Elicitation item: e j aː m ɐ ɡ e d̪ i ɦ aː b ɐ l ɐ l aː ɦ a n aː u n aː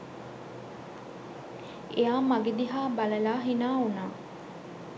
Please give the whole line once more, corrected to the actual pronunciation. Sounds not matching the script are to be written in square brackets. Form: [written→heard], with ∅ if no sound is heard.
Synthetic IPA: e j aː m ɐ ɡ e d̪ i ɦ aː b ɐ l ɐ l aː ɦ [a→i] n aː u n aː